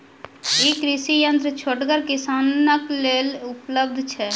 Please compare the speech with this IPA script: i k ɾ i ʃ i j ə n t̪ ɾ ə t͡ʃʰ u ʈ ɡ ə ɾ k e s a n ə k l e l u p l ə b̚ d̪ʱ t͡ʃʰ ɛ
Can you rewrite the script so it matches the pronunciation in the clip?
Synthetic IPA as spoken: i k ɾ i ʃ i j ə n t̪ ɾ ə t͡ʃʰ o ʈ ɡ ə ɾ k i s a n ə k l e l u p l ə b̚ d̪ʱ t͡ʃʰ ɛ